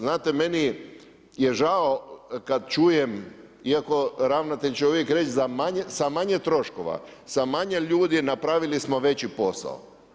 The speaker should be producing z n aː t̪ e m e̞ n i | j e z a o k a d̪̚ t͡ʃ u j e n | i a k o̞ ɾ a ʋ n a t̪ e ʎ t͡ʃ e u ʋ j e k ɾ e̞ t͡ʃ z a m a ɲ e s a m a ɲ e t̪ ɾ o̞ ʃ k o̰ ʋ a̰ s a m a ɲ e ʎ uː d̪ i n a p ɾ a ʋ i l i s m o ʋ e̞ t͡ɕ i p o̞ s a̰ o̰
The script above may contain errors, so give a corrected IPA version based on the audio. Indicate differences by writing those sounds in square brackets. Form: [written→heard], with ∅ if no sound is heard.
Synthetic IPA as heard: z n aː t̪ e m e̞ n i | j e [z→ʒ] a o k a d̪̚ t͡ʃ u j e [n→m] | i a k o̞ ɾ a ʋ n a t̪ e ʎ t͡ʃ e u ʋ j e k ɾ e̞ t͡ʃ z a m a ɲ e s a m a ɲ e t̪ ɾ o̞ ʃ k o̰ ʋ a̰ s a m a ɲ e ʎ uː d̪ i n a p ɾ a ʋ i l i s m o ʋ e̞ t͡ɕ i p o̞ s a̰ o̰